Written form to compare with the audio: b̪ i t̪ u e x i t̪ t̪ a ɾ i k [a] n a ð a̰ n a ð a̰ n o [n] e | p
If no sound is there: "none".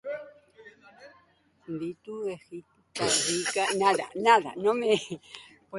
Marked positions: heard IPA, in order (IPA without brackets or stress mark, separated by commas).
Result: a, m